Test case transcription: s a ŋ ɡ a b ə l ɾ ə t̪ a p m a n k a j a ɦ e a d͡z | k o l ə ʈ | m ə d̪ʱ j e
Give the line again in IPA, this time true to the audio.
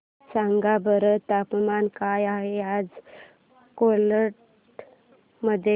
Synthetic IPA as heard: s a ŋ ɡ a b ə ɾ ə t̪ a p m a n k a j a ɦ e a d͡z | k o l ə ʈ | m ə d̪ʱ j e